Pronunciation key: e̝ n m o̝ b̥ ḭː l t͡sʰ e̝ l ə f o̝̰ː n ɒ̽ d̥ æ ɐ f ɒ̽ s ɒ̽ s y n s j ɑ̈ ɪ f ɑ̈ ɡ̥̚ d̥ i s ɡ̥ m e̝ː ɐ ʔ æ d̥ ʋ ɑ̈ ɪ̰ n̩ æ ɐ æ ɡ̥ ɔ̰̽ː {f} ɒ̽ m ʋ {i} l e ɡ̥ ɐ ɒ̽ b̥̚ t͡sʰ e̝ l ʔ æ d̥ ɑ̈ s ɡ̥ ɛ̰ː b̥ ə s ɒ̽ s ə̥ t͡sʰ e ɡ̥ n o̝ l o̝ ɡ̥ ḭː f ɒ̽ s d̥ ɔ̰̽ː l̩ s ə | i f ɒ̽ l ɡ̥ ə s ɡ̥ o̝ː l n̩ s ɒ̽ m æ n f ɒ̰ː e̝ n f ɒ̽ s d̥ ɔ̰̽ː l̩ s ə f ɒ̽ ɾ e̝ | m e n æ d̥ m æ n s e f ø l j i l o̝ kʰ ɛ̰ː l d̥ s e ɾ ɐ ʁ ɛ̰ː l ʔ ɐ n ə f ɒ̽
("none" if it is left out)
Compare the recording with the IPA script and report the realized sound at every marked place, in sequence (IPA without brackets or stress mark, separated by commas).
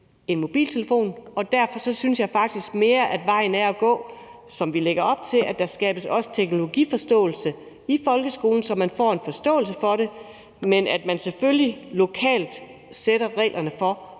s, i